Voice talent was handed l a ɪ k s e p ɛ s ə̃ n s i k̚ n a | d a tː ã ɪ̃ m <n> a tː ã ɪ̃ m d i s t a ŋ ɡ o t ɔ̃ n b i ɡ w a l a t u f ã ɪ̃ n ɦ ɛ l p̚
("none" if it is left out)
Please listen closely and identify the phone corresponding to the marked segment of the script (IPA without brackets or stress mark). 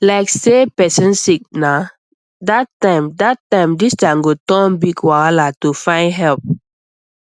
d